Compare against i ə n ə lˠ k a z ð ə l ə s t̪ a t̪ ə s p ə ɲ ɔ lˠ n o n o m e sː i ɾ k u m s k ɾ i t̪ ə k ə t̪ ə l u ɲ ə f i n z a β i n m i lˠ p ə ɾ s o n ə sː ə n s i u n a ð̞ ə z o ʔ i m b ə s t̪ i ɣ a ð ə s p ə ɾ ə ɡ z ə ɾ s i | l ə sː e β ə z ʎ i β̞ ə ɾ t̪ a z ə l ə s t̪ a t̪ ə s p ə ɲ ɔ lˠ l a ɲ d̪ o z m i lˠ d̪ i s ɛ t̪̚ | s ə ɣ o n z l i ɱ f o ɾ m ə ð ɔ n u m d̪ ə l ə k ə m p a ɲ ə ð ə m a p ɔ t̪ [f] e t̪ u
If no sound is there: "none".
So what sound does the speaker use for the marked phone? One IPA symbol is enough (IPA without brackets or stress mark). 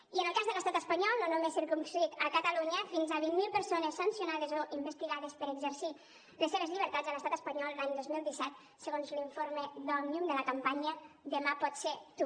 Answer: s